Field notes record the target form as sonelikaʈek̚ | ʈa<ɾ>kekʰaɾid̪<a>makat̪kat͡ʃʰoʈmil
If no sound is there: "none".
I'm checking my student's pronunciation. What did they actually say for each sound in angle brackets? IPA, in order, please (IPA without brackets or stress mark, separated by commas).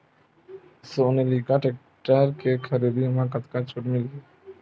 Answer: ɾ, i